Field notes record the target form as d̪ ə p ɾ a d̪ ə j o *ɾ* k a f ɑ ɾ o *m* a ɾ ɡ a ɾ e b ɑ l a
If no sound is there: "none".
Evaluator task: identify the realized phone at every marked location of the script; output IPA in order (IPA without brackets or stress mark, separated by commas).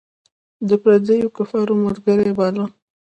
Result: none, m